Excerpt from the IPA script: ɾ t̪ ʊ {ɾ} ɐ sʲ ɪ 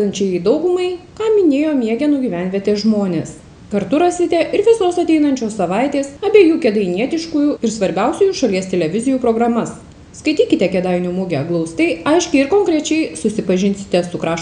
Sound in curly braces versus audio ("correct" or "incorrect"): correct